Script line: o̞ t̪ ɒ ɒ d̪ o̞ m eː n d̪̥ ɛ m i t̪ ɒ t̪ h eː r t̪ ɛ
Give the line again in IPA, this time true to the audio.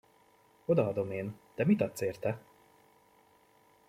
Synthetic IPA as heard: o̞ d̪ ɒ ɒ d̪ o̞ m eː n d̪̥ ɛ m i t̪ ɒ t̪ s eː r t̪ ɛ